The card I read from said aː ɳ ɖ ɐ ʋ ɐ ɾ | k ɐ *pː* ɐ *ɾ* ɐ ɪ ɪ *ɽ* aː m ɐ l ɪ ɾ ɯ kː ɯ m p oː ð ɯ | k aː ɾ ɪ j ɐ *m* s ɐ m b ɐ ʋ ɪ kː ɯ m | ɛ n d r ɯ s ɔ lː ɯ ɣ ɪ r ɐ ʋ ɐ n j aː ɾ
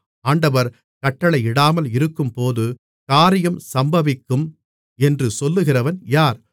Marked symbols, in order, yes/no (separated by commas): no, no, yes, yes